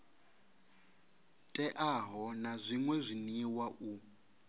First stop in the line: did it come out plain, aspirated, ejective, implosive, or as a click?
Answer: ejective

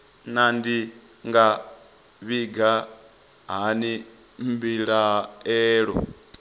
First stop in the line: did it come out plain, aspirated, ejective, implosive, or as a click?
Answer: plain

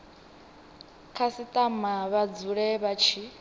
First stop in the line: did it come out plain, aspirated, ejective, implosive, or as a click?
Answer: aspirated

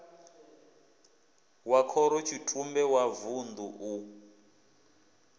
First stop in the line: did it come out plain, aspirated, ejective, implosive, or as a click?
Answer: aspirated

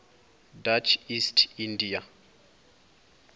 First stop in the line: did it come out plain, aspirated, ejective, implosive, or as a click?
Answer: plain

